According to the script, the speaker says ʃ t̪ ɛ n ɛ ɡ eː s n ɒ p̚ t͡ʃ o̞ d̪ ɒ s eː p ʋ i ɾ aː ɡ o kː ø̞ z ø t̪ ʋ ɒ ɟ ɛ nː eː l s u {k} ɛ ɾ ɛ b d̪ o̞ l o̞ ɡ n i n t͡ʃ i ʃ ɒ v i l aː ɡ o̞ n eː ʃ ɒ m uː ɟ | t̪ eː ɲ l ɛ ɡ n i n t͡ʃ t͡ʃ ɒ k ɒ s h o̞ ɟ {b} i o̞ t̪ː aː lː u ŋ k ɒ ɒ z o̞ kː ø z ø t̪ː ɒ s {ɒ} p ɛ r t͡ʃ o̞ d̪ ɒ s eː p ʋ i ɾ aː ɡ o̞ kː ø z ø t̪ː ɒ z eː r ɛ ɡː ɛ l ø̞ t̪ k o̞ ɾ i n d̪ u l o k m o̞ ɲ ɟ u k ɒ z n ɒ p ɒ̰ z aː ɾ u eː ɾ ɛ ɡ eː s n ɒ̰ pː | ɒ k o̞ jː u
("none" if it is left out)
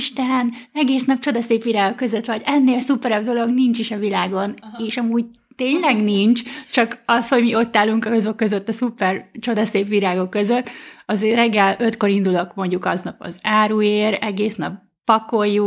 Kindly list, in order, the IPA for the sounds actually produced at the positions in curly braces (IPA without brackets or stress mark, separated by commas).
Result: p, m, u